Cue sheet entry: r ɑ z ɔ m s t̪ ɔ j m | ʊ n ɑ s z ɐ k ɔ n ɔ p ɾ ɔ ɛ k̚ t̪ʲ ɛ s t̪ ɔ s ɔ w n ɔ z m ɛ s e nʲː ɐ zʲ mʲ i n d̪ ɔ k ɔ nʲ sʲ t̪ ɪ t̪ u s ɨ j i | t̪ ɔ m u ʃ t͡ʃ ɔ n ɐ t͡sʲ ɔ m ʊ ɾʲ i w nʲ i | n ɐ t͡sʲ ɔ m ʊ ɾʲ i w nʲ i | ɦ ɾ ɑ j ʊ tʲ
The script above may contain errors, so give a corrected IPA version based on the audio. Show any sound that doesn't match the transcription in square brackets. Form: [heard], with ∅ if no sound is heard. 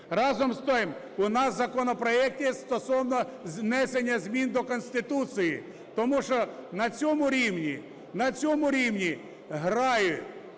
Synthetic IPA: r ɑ z ɔ m s t̪ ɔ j m | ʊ n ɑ s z ɐ k ɔ n ɔ p ɾ ɔ ɛ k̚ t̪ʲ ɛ s t̪ ɔ s ɔ w n ɔ z [n] ɛ s e nʲː ɐ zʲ mʲ i n d̪ ɔ k ɔ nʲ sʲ t̪ ɪ t̪ u s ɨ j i | t̪ ɔ m u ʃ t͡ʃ ɔ n ɐ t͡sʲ ɔ m ʊ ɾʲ i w nʲ i | n ɐ t͡sʲ ɔ m ʊ ɾʲ i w nʲ i | ɦ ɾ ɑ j ʊ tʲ